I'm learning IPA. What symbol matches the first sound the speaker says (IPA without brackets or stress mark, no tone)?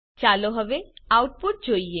t͡ʃ